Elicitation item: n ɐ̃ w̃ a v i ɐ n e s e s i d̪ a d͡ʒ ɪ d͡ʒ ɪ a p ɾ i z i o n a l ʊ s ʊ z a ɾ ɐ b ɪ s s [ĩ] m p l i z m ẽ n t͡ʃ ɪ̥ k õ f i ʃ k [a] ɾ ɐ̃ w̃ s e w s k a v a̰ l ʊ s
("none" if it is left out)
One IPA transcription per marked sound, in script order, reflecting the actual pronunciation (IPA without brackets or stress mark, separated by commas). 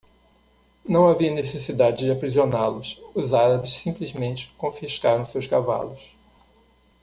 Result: ĩ, a